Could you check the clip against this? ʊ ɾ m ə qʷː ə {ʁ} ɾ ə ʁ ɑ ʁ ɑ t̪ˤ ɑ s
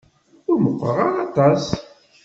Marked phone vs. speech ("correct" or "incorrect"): incorrect